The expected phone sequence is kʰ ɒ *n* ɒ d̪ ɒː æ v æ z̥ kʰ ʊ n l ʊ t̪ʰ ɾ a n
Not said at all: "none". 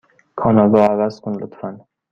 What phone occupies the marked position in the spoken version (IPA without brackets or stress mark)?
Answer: n